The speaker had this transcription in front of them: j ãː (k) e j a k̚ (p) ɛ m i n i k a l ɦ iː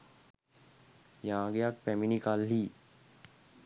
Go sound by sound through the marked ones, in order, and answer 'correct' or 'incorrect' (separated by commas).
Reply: incorrect, correct